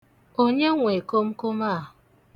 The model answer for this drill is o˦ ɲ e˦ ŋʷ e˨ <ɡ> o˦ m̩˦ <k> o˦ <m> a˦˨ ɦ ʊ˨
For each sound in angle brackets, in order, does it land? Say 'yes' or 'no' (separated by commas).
no, yes, yes